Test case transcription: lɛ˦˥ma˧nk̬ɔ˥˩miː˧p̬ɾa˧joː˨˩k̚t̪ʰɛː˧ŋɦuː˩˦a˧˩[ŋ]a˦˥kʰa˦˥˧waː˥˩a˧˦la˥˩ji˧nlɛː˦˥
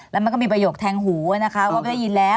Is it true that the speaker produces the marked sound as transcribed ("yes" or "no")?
no